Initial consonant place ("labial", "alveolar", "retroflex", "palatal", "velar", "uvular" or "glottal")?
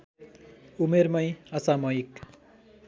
labial